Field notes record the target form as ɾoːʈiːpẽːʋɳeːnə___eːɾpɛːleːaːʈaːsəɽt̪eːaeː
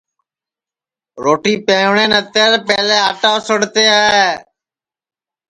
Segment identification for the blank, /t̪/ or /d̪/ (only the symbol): t̪